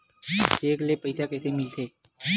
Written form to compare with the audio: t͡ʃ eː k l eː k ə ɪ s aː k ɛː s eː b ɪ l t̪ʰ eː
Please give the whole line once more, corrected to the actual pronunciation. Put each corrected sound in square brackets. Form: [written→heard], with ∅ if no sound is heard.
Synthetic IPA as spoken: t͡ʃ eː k l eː [k→p] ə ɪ s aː k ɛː s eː [b→m] ɪ l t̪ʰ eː